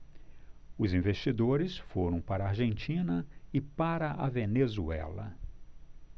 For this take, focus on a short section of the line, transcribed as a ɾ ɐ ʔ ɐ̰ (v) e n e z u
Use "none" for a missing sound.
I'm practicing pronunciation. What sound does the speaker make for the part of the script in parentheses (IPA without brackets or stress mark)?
v